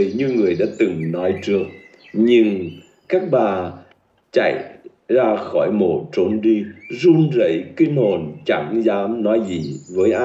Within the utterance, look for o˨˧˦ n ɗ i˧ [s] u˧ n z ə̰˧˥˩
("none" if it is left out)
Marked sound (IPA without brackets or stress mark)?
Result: z